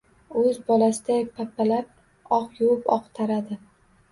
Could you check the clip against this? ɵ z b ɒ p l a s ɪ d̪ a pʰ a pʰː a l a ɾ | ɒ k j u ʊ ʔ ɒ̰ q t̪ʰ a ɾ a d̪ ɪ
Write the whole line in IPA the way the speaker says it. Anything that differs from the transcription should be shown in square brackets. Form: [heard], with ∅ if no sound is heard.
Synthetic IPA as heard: ɵ z b ɒ [∅] l a s ɪ d̪ a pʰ a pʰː a l a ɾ | ɒ [q] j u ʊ [p] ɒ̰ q t̪ʰ a ɾ a d̪ ɪ